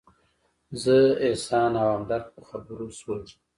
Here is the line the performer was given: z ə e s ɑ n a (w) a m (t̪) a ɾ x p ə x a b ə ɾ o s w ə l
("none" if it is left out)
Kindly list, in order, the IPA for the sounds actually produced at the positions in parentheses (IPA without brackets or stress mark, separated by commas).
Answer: w, d̪